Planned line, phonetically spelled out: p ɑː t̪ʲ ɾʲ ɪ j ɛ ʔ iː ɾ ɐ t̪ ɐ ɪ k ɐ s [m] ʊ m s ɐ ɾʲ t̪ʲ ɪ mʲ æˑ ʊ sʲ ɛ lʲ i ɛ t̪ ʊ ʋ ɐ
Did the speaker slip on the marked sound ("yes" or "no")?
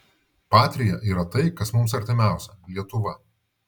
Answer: no